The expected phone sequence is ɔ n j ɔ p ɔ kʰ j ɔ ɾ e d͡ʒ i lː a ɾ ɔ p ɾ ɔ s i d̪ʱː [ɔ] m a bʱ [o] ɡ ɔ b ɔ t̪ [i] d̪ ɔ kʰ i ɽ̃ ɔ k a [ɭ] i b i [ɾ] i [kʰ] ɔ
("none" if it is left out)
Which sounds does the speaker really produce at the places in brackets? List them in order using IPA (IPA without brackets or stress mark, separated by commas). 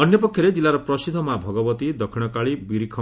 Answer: ɔ, ɔ, i, ɭ, ɾ, kʰ